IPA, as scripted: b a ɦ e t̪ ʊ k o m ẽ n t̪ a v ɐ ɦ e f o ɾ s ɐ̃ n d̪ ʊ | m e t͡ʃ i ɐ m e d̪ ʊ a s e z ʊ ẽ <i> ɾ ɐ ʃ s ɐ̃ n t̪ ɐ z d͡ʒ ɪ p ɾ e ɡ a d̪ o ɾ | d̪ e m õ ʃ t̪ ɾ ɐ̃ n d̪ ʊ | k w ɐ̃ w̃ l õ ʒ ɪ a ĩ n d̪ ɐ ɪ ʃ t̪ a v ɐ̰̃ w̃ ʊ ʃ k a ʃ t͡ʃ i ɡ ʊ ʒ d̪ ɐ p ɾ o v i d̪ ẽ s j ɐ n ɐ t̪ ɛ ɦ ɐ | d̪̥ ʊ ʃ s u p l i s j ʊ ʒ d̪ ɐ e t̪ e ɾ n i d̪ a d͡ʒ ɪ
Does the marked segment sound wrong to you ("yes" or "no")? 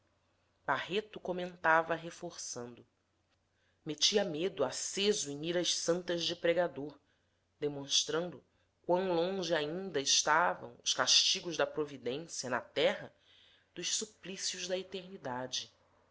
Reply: no